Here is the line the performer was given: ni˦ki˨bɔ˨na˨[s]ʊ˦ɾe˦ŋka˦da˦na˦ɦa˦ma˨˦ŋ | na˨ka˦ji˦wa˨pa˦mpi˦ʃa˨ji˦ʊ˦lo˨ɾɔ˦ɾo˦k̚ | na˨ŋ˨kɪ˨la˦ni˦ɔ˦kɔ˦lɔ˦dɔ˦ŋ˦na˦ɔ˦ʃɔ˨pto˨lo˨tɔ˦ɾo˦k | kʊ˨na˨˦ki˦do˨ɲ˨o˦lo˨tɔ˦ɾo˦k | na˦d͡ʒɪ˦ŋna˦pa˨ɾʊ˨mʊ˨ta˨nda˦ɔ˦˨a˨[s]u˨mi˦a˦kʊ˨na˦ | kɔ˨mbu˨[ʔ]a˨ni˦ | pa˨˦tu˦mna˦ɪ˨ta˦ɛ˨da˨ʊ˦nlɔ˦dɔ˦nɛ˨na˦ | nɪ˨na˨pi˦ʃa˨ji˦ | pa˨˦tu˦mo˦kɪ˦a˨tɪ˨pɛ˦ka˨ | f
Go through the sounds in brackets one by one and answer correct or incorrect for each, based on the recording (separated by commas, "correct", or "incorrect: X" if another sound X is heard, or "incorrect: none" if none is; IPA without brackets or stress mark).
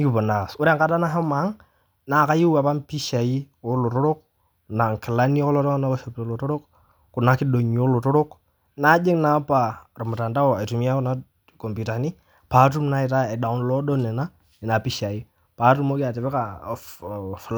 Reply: correct, incorrect: t, incorrect: t